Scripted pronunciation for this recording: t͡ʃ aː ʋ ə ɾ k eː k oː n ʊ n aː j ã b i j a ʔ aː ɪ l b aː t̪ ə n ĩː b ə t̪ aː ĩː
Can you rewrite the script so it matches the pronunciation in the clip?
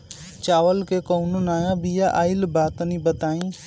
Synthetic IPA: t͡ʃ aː ʋ ə l k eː k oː n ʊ n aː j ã b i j a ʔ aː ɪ l b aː t̪ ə n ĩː b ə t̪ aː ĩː